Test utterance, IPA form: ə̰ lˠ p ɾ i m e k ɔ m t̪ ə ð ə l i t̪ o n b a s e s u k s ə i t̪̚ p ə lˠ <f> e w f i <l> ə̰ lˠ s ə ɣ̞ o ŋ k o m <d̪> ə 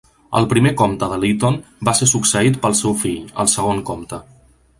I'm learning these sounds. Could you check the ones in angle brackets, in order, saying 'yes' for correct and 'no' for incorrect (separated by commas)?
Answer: no, no, no